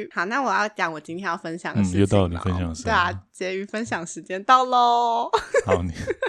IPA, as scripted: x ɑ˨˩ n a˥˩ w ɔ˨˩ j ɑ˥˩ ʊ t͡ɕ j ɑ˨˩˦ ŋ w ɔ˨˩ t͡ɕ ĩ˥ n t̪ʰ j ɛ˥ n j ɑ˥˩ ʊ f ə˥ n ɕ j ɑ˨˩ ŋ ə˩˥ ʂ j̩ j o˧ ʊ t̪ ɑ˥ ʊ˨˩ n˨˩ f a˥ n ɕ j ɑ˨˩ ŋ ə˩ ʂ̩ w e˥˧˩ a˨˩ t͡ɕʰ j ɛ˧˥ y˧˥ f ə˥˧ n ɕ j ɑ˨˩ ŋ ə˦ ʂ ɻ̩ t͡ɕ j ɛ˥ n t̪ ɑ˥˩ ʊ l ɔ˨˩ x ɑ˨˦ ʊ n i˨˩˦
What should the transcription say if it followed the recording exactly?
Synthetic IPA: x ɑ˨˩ n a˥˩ w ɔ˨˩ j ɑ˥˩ ʊ t͡ɕ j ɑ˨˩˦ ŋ w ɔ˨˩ t͡ɕ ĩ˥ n t̪ʰ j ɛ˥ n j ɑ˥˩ ʊ f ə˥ n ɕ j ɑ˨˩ ŋ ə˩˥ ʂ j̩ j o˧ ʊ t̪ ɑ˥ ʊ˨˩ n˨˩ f ə˥ n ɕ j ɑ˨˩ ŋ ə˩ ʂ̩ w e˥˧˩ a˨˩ t͡ɕ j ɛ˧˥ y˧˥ f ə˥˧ n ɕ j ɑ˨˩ ŋ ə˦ ʂ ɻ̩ t͡ɕ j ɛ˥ n t̪ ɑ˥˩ ʊ l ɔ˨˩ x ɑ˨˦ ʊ n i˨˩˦